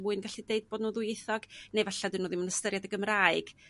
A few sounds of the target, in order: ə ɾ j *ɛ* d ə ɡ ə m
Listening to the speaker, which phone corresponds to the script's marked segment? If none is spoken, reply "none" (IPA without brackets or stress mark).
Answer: a